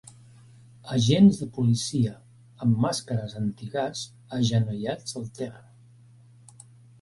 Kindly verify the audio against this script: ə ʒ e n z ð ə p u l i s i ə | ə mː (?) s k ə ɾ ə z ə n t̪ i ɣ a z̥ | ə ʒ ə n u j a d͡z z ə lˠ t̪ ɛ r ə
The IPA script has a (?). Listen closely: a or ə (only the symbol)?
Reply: a